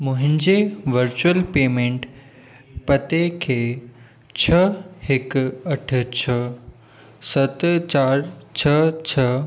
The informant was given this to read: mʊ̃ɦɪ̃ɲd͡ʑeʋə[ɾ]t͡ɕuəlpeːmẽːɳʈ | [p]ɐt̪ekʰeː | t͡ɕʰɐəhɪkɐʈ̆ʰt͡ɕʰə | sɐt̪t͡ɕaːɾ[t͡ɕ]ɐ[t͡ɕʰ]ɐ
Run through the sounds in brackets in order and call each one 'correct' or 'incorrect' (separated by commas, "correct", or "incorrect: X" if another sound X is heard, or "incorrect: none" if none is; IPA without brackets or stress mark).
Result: correct, correct, incorrect: t͡ɕʰ, correct